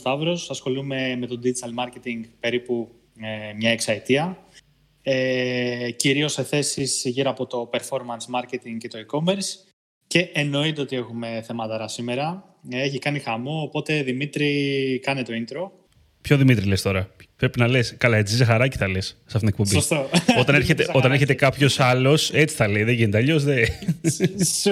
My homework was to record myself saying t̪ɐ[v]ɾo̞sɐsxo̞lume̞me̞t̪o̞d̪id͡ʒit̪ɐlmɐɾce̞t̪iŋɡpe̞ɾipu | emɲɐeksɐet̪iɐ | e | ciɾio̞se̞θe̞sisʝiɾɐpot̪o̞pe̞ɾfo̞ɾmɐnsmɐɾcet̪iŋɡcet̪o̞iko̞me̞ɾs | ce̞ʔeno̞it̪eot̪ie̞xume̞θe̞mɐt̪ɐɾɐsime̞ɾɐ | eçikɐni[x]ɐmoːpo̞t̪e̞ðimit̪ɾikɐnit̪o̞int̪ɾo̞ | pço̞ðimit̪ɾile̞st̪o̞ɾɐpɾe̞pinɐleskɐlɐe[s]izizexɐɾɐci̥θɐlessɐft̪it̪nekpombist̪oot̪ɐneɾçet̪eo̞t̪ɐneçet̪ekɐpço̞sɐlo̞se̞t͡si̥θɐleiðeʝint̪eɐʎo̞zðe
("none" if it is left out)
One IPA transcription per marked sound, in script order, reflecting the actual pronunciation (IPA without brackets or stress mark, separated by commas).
v, x, t͡s